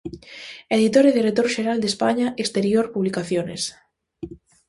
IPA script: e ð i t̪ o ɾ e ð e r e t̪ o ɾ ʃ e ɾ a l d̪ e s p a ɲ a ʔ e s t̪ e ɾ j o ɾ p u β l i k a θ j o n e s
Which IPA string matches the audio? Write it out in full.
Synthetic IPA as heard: e ð i t̪ o ɾ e ð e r e t̪ o ɾ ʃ e ɾ a l d̪ e s p a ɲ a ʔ e s t̪ e ɾ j o ɾ p u β l i k a θ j o n e s